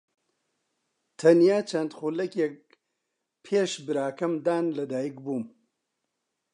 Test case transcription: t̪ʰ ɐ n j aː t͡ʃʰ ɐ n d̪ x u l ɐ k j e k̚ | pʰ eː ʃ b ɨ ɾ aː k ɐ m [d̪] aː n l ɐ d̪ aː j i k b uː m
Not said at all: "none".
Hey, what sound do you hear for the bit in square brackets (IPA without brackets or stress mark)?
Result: d̪